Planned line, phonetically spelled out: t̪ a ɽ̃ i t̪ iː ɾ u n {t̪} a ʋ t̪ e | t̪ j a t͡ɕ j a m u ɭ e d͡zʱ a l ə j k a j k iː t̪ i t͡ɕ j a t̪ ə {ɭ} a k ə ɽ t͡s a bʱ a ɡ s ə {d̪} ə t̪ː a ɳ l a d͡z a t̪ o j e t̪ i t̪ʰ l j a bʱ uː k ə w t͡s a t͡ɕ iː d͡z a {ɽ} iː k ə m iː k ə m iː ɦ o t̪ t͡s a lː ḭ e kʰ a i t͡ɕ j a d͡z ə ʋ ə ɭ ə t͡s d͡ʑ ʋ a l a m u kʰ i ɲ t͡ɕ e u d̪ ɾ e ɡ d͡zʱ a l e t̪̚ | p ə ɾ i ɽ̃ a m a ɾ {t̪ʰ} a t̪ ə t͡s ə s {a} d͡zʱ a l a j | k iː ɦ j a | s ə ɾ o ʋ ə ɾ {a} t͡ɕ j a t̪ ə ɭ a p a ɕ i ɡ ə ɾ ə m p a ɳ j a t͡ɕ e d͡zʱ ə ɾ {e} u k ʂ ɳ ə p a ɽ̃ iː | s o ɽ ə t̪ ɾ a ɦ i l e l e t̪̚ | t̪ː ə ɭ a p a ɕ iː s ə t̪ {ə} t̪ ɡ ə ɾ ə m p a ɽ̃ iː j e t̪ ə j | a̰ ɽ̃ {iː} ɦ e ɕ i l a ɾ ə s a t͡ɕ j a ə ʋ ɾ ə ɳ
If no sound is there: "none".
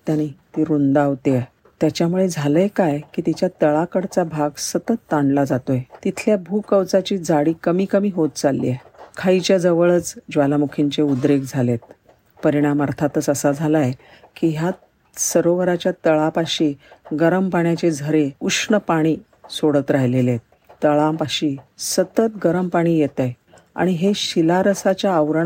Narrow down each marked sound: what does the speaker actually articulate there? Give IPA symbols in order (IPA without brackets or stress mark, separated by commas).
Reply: d̪, ɭ, t̪, ɽ, t̪ʰ, a, a, e, ə, i